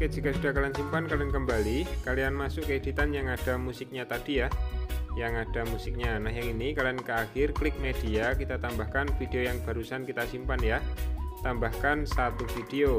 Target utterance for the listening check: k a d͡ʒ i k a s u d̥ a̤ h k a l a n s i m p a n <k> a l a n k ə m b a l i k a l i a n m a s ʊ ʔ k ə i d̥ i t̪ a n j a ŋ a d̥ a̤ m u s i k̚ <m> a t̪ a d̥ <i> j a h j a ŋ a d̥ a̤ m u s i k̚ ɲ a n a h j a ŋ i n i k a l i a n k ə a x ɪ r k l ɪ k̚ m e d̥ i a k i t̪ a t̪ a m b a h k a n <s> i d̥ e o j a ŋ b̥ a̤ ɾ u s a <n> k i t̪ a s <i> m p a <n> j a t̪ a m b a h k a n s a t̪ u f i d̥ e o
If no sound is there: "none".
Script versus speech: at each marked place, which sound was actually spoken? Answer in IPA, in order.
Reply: k, ɲ, i, f, n, i, n

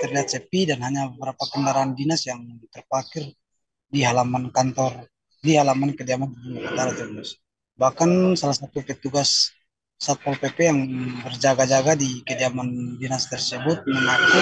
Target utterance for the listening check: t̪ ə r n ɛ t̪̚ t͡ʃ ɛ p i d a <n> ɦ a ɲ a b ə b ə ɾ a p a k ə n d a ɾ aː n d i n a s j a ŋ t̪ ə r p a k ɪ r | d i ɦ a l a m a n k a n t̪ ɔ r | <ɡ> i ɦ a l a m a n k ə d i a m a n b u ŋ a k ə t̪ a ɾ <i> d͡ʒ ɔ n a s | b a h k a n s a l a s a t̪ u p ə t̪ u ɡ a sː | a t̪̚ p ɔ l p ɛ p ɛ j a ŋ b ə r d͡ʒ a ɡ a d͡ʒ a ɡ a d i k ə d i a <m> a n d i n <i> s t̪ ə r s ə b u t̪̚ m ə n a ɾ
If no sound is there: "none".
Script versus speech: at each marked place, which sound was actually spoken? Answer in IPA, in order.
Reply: n, d, a, m, a

